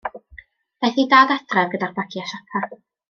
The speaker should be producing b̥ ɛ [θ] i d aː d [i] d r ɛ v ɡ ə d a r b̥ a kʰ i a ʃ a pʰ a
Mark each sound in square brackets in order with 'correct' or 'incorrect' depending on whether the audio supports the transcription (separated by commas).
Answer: correct, incorrect